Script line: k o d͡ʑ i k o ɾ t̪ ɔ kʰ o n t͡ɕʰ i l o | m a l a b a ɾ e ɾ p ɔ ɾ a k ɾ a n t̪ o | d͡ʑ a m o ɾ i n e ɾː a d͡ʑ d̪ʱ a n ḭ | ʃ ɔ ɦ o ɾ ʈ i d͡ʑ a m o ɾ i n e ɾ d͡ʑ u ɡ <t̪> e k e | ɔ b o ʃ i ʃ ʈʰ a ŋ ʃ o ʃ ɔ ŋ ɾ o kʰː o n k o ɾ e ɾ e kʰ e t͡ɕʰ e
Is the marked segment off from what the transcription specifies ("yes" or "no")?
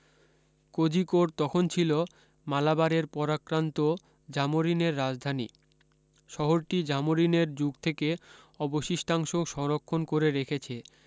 yes